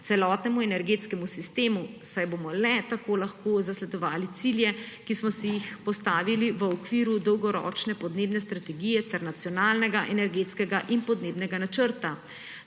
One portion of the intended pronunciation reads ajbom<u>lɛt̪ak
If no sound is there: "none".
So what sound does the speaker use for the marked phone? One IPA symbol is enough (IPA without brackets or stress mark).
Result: ɔ